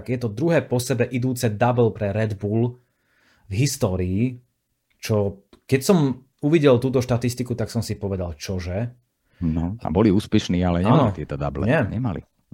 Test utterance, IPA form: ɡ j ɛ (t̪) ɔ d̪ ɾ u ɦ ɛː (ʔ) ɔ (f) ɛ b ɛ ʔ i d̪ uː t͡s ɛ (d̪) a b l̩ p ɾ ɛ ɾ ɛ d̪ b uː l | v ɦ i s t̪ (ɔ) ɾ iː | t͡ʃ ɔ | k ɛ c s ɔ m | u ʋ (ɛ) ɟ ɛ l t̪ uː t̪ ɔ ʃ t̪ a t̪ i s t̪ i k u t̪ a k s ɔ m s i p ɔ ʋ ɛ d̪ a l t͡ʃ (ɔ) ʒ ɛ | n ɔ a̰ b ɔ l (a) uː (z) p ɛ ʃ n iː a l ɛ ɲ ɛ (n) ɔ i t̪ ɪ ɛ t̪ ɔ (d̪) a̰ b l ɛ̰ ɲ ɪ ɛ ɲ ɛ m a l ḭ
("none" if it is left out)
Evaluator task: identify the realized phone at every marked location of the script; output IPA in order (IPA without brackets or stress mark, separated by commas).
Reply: t̪, p, s, d̪, ɔː, i, ɔ, i, s, n, d̪